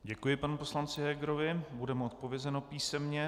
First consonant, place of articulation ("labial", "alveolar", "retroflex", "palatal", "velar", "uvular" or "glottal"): palatal